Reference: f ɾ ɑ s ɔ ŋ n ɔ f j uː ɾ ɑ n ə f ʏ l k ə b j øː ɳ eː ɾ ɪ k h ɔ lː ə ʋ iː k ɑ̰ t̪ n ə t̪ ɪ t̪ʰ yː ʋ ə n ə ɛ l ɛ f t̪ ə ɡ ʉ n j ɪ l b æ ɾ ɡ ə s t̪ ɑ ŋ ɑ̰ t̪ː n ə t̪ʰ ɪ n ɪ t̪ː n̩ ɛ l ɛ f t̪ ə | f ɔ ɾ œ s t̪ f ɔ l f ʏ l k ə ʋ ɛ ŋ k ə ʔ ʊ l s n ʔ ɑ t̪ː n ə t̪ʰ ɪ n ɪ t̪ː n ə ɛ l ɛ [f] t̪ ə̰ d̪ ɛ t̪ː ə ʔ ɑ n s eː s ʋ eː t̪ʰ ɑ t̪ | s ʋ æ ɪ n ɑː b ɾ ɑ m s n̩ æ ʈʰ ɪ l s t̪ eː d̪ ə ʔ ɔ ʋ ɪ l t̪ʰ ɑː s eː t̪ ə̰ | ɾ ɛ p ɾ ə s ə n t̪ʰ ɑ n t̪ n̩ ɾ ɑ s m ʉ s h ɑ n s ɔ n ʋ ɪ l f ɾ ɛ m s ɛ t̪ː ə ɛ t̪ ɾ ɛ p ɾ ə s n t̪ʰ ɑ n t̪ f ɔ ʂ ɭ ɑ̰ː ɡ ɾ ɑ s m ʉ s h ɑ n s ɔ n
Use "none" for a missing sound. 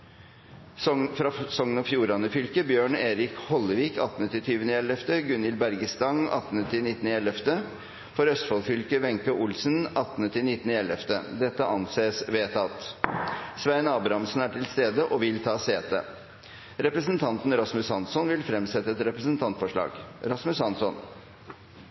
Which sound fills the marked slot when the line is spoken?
f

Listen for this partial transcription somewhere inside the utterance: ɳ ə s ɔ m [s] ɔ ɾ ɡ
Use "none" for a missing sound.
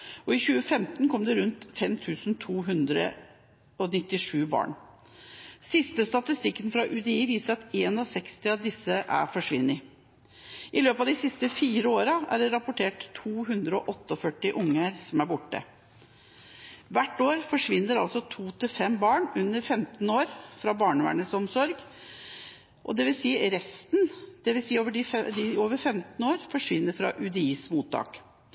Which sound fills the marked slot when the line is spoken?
s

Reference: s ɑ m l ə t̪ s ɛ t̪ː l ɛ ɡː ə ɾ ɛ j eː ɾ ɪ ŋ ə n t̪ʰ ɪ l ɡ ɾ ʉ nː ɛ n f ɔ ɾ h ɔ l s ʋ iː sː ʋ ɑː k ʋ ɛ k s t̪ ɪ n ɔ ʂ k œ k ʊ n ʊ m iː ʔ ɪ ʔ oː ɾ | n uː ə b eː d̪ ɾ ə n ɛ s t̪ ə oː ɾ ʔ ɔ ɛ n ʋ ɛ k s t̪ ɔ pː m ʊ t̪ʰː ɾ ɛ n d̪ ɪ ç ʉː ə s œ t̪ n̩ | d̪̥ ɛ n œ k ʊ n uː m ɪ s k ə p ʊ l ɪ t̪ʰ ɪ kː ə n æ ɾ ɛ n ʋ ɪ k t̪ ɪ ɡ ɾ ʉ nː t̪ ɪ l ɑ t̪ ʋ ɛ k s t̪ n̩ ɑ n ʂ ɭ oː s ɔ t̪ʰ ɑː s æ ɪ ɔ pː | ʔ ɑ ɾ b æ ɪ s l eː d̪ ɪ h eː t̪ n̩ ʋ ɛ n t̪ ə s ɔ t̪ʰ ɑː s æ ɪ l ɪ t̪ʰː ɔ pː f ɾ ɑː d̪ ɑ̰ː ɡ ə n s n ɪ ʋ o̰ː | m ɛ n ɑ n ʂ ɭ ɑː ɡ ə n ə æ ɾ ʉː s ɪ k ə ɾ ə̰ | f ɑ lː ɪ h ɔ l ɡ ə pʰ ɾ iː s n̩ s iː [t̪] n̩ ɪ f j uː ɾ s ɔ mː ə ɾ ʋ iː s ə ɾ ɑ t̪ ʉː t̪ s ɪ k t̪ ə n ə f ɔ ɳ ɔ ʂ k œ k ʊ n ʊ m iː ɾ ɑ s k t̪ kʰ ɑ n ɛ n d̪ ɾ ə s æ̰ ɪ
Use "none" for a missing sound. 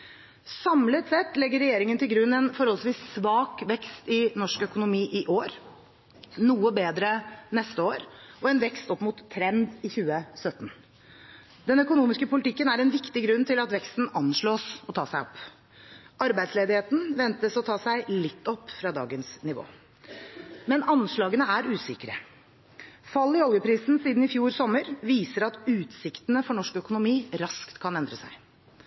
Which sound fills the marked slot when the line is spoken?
d̪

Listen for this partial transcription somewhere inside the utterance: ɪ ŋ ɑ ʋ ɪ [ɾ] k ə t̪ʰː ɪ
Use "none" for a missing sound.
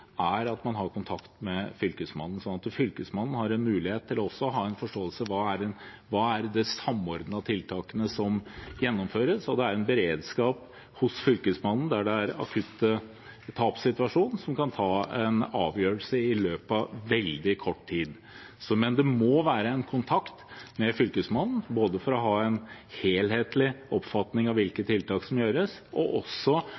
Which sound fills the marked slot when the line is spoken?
l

